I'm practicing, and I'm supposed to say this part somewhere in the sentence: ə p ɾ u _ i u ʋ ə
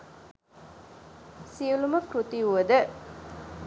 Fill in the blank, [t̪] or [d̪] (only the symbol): t̪